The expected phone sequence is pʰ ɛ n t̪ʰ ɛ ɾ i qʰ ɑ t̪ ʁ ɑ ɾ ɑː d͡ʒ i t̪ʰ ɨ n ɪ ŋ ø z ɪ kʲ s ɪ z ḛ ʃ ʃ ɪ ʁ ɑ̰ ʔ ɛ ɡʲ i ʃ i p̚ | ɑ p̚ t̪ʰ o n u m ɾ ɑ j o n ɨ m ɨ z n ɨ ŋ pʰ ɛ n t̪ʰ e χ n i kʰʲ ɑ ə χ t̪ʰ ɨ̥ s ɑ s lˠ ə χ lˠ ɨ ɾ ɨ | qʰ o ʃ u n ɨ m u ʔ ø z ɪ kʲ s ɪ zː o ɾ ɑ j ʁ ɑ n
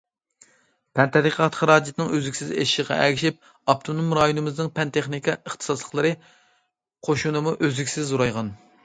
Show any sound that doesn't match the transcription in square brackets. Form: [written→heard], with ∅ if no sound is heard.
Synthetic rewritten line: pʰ ɛ n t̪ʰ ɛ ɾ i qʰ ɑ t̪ [ʁ→χ] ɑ ɾ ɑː d͡ʒ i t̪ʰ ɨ n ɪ ŋ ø z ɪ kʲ s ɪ z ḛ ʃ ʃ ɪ ʁ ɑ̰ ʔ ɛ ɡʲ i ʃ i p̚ | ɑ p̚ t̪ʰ o n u m ɾ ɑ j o n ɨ m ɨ z n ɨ ŋ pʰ ɛ n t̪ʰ e χ n i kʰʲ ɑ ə χ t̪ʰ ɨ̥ s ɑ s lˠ ə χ lˠ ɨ ɾ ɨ | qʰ o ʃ u n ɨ m u ʔ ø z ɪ kʲ s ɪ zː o ɾ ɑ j ʁ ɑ n